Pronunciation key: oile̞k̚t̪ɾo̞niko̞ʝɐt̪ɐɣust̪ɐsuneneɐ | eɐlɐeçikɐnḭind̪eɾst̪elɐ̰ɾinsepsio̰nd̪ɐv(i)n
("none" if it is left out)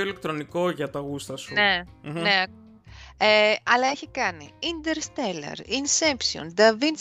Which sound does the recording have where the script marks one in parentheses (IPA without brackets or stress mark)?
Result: i